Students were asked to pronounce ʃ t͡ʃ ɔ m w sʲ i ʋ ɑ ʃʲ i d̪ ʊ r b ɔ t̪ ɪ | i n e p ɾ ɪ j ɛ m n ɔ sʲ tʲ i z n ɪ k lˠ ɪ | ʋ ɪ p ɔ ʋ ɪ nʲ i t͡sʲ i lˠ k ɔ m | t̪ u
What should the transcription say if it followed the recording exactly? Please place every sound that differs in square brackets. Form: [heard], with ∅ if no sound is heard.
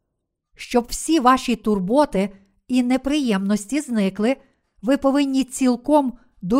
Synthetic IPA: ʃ t͡ʃ ɔ [b] w sʲ i ʋ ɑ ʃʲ i [t̪] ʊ r b ɔ t̪ ɪ | i n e p ɾ ɪ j ɛ m n ɔ sʲ tʲ i z n ɪ k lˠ ɪ | ʋ ɪ p ɔ ʋ ɪ [nʲː] i t͡sʲ i lˠ k ɔ m | [d̪] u